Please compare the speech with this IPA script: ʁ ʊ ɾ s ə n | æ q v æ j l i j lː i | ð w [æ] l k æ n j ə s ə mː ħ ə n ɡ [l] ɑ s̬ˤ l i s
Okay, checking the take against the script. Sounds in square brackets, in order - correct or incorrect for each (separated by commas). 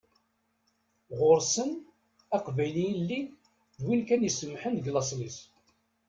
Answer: incorrect, correct